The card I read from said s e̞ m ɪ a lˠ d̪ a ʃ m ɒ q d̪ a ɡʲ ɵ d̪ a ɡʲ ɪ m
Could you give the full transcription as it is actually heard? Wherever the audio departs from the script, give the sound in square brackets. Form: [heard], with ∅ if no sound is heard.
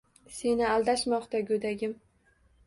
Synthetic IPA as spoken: s e̞ [n] ɪ a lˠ d̪ a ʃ m ɒ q [t̪] a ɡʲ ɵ d̪ a ɡʲ ɪ m